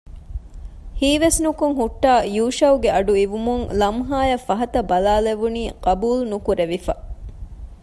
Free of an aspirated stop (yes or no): yes